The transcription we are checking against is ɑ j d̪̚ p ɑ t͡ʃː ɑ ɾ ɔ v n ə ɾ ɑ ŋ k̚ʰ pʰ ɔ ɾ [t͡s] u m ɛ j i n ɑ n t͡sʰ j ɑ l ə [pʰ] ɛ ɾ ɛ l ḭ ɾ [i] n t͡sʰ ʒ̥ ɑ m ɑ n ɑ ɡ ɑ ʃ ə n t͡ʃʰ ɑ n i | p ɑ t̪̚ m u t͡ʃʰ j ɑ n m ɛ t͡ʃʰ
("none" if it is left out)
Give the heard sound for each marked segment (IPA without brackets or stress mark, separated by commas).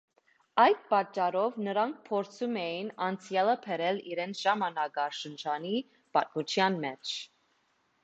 t͡sʰ, pʰ, ɛ